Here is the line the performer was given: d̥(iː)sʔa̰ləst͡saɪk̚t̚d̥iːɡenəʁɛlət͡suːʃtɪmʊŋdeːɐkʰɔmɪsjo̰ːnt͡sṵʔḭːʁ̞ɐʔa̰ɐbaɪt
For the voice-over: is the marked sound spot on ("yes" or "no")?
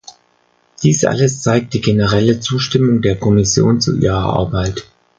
yes